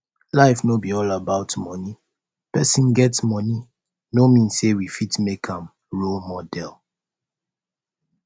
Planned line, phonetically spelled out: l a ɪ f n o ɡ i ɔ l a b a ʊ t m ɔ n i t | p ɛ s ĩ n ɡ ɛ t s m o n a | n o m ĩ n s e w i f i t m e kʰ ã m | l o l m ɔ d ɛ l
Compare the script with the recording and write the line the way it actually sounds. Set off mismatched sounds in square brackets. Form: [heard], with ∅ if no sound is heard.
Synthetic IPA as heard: l a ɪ f n o [b] i ɔ l a b a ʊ t m ɔ n i [∅] | p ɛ s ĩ n ɡ ɛ t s m [ɔ] n [i] | n o m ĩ n s e w i f i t m e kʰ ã m | [ɹ] o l m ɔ d ɛ l